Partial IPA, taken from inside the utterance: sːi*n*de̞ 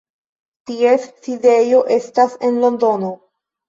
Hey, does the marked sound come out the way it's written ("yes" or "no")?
no